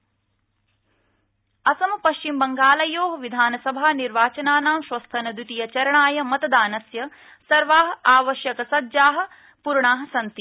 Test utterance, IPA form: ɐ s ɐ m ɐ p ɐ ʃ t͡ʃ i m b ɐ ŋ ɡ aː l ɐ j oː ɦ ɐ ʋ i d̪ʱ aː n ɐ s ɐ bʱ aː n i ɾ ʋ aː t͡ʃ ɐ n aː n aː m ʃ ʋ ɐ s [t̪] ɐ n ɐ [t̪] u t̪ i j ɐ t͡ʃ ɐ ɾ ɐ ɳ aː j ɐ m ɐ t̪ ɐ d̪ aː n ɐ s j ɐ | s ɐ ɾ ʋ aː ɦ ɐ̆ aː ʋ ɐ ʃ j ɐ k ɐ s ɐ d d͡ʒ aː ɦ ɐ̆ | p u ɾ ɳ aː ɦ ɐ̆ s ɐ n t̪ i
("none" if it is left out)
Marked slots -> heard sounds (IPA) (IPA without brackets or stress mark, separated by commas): t̪ʰ, d̪